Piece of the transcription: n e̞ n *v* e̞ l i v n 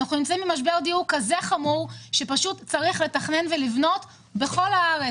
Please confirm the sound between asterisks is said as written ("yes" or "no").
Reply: yes